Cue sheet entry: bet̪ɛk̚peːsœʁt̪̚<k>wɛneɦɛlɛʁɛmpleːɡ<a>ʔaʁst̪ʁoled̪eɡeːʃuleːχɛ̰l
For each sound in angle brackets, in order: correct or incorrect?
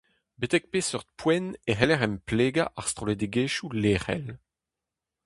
incorrect: p, correct

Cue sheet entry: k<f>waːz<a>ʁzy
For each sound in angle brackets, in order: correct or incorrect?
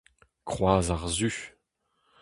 incorrect: χ, correct

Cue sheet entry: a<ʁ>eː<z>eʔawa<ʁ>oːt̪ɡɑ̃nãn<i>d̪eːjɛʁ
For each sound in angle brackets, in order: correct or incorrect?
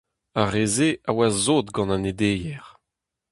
correct, correct, incorrect: z, incorrect: e

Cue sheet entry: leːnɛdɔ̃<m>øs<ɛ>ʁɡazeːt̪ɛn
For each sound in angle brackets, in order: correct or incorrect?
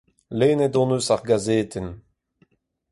incorrect: n, incorrect: a

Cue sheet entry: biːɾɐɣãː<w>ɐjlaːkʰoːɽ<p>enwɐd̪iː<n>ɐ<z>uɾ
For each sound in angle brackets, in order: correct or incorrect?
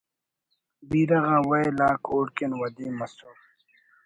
correct, incorrect: k, incorrect: m, incorrect: s

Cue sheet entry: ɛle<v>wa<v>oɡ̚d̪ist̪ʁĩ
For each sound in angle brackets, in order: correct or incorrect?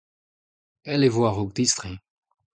correct, incorrect: ʁ

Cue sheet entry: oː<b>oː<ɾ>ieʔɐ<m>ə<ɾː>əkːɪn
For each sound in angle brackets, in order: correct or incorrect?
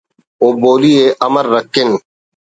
correct, incorrect: l, correct, correct

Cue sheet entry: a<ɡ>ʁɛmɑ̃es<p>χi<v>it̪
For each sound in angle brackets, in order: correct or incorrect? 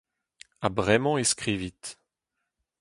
incorrect: b, incorrect: k, correct

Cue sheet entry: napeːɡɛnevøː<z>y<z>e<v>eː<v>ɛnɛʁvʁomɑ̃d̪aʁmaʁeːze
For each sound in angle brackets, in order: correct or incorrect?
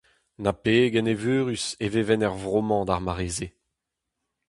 incorrect: ʁ, incorrect: s, correct, correct

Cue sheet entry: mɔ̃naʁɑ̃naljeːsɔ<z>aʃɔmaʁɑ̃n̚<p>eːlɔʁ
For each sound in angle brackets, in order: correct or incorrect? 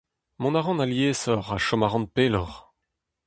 incorrect: ʁ, correct

